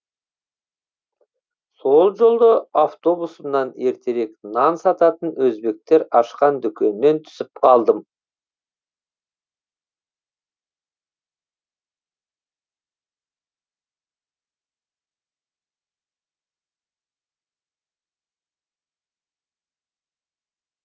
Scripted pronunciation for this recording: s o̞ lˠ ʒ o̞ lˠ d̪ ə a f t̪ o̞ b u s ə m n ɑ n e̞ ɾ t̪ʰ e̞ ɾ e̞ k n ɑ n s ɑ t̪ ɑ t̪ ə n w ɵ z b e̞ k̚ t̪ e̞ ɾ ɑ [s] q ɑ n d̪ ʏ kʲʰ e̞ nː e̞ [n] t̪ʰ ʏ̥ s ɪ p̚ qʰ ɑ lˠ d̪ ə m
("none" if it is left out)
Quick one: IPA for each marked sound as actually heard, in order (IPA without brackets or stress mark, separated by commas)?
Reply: ʃ, n